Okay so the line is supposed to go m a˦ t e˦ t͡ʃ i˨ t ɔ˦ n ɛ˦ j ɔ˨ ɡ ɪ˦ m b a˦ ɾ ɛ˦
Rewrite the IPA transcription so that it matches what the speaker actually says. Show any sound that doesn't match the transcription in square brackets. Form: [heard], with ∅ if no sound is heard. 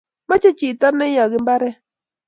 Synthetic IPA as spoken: m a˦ [t͡ʃ] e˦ t͡ʃ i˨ t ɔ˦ n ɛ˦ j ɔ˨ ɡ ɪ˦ m b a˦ ɾ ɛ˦